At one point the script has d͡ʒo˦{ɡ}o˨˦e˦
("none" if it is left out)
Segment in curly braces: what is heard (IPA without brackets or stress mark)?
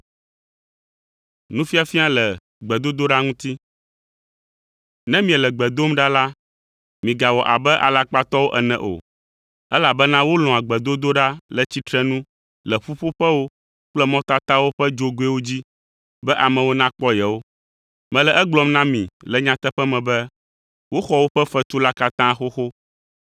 ɡ